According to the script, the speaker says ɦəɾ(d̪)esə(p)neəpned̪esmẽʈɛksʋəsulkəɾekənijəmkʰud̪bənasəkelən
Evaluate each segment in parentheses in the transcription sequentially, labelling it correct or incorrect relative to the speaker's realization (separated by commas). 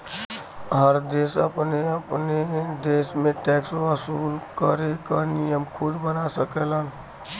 correct, correct